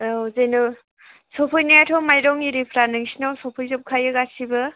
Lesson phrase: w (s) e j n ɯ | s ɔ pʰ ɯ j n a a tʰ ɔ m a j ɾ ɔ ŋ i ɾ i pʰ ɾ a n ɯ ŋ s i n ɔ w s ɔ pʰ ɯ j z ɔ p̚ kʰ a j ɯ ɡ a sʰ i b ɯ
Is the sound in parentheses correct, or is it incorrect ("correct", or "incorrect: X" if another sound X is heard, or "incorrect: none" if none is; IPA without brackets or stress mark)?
incorrect: z